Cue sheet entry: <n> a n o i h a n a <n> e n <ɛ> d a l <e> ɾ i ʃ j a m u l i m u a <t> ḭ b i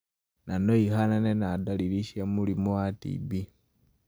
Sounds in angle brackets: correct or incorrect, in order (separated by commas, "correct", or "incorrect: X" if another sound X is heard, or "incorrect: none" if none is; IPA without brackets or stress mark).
correct, correct, incorrect: a, incorrect: i, correct